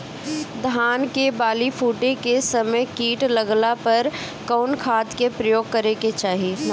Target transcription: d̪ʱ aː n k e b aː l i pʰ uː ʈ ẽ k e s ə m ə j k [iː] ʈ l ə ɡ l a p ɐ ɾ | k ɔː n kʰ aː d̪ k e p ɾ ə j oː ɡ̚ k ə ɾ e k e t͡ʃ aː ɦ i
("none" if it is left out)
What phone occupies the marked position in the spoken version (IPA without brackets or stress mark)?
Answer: iː